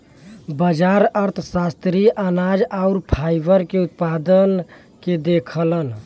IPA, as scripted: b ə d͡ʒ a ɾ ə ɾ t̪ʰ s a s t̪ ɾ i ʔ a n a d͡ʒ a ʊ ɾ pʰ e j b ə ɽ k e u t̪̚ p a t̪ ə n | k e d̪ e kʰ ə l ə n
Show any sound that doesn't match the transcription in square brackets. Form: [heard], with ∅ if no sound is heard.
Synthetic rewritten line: b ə d͡ʒ a ɾ ə ɾ t̪ʰ s a s t̪ ɾ i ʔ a n a d͡ʒ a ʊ ɾ pʰ [a] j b ə [ɾ] k e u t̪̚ p a [d̪] ə n | k e d̪ e kʰ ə l ə n